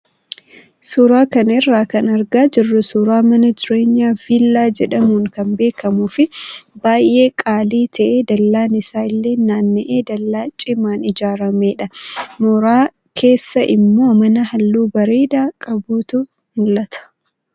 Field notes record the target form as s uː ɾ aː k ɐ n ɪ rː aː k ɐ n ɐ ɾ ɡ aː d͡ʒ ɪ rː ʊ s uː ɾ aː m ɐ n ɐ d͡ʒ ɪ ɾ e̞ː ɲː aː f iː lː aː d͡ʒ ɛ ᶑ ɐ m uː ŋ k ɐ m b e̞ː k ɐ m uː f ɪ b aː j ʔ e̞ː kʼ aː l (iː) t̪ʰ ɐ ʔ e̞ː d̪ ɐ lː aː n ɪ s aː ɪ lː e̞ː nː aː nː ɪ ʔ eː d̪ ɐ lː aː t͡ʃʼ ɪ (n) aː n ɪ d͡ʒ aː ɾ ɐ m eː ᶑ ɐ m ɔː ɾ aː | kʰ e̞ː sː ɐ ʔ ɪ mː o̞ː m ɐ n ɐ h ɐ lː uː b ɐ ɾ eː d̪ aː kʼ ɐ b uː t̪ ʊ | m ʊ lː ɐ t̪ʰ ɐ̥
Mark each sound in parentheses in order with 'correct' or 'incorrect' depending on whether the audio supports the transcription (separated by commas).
correct, incorrect